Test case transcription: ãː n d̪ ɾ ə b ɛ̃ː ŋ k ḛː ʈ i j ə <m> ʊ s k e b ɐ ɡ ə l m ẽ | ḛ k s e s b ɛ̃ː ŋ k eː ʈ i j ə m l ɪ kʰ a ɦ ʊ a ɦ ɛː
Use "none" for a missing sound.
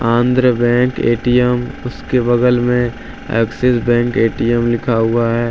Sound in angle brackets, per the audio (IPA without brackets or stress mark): m